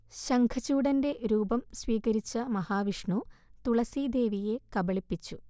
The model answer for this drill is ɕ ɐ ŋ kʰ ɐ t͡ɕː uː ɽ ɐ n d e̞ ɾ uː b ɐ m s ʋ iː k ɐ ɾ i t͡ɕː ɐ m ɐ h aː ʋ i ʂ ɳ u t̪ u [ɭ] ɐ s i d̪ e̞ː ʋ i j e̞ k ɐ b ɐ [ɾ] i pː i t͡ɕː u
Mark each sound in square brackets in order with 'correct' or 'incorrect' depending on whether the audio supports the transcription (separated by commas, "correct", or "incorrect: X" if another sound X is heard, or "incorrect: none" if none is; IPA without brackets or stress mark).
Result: correct, incorrect: ɭ